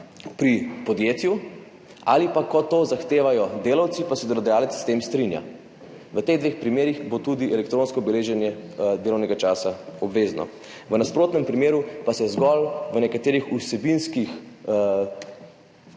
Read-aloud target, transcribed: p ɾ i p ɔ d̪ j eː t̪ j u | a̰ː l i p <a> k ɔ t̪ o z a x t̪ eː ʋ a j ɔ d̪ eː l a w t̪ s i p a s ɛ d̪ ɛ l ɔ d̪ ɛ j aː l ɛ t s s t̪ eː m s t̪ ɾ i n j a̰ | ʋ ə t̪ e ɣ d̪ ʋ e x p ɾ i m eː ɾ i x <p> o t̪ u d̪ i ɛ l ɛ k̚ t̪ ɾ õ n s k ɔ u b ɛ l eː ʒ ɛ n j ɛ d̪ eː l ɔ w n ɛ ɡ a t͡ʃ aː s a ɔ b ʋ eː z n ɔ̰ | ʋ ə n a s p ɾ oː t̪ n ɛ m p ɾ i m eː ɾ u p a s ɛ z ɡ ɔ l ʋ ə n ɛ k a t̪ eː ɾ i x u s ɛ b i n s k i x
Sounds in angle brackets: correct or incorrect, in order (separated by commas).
correct, incorrect